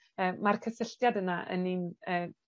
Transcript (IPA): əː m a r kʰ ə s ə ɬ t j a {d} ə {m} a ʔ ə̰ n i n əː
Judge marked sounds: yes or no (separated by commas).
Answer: yes, no